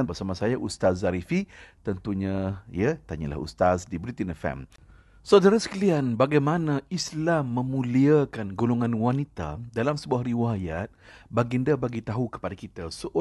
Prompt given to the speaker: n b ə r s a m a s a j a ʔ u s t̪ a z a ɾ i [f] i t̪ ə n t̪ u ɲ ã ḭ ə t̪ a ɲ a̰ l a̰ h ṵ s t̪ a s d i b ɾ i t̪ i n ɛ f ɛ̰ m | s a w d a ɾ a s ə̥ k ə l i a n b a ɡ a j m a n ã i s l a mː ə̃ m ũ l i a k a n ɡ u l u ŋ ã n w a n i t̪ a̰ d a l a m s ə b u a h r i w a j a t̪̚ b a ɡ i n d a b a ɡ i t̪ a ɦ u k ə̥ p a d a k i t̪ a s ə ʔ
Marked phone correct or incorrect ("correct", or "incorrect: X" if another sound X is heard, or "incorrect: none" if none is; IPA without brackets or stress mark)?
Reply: correct